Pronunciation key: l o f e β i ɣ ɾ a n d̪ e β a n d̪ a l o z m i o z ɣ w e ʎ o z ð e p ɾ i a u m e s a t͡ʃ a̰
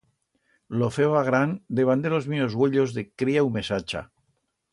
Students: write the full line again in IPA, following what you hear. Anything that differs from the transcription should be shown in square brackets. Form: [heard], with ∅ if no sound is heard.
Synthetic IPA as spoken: l o f e β [a] ɣ ɾ a n d̪ e β a n d̪ [e] l o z m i o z ɣ w e ʎ o z ð e [k] ɾ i a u m e s a t͡ʃ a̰